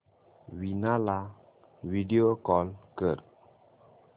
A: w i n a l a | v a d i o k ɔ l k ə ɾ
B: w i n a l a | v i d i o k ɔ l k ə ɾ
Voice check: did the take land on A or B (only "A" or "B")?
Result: B